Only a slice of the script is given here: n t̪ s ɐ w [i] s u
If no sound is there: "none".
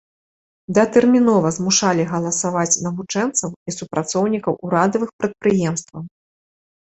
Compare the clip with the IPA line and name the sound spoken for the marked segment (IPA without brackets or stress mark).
i